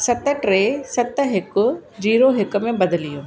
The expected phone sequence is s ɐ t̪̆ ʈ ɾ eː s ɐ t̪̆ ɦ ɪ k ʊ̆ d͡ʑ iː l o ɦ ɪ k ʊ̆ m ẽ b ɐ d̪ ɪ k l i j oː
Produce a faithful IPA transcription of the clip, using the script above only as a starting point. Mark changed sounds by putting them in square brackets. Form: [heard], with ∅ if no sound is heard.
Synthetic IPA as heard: s ɐ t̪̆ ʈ ɾ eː s ɐ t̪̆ ɦ ɪ k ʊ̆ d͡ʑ iː [ɾ] o ɦ ɪ k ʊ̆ m ẽ b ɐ d̪ ɪ [∅] l i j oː